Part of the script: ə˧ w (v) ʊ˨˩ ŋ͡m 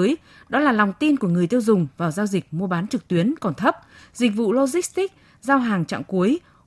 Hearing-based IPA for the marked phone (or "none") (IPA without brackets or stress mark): z